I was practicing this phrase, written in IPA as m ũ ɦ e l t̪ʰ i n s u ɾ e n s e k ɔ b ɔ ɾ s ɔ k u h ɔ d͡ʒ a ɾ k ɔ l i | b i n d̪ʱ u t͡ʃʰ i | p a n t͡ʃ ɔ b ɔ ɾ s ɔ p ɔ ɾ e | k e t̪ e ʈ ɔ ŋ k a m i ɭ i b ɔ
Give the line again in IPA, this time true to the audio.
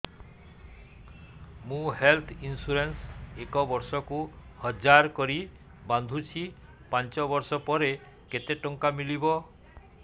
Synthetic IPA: m ũ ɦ e l t̪ʰ i n s u ɾ e n s e k ɔ b ɔ ɾ s ɔ k u h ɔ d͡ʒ a ɾ k ɔ ɾ i | b a n d̪ʱ u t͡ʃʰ i | p a n t͡ʃ ɔ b ɔ ɾ s ɔ p ɔ ɾ e | k e t̪ e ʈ ɔ ŋ k a m i l i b ɔ